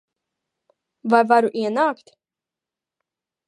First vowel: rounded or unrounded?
unrounded